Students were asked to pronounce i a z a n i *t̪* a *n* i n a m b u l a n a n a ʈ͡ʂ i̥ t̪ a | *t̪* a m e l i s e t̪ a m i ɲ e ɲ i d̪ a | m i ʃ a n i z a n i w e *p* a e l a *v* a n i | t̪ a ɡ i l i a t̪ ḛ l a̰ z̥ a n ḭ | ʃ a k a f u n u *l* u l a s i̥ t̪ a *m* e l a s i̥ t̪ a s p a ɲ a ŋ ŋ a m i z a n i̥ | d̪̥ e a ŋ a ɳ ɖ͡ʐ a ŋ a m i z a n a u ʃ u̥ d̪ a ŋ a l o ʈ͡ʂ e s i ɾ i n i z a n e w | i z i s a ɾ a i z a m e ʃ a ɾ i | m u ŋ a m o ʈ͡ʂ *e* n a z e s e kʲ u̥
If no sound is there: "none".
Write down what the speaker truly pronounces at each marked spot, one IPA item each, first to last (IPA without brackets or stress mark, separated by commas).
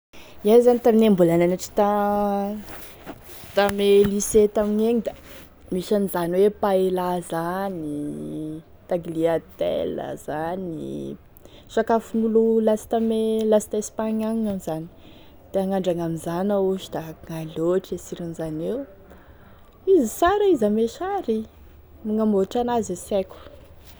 t̪, m, t̪, p, z, l, m, a